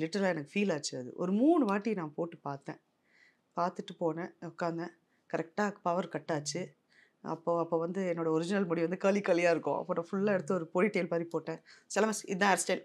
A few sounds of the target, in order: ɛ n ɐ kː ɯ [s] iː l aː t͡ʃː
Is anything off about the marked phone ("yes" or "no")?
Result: yes